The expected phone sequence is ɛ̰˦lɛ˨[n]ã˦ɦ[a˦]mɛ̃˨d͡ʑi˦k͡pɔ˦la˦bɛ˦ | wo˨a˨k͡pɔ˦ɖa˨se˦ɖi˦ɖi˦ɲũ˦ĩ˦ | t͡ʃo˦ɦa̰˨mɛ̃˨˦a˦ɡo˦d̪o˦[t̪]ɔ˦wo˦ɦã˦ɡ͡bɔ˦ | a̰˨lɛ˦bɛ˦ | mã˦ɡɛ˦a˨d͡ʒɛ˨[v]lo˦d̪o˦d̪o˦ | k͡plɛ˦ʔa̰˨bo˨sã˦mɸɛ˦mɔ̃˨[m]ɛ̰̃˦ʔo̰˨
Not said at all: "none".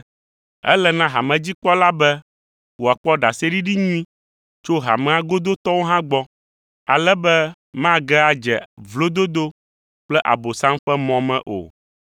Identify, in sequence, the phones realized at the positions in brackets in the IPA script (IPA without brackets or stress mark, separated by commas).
n, a˨, t̪, v, m